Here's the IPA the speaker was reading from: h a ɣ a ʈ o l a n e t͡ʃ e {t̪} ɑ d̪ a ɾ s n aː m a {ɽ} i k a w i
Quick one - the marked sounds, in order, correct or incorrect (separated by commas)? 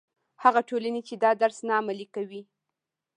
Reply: incorrect, incorrect